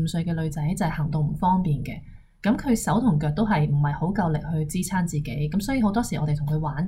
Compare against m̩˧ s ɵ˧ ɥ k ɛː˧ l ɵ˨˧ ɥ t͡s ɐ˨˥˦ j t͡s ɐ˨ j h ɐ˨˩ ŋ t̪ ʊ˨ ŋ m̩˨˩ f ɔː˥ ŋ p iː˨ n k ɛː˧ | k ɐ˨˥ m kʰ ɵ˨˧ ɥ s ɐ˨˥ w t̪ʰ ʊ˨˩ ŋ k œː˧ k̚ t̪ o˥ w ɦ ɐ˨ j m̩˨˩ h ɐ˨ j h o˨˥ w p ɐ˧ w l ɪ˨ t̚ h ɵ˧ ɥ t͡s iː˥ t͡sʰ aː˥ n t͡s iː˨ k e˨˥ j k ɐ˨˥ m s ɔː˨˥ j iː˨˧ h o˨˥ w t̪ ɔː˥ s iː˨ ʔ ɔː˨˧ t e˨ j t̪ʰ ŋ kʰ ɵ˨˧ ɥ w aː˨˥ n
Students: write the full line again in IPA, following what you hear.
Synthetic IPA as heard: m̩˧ s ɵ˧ ɥ k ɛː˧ l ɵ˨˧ ɥ t͡s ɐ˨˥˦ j t͡s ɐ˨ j h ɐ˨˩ ŋ t̪ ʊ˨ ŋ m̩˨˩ f ɔː˥ ŋ p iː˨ n k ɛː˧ | k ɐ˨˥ m kʰ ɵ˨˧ ɥ s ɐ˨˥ w t̪ʰ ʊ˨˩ ŋ k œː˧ k̚ t̪ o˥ w ɦ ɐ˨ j m̩˨˩ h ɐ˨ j h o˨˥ w k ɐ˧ w l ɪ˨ k̚ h ɵ˧ ɥ t͡s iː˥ t͡sʰ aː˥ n t͡s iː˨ k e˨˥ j k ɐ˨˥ m s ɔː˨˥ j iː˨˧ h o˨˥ w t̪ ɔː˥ s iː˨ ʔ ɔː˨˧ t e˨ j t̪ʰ ŋ kʰ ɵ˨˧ ɥ w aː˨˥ n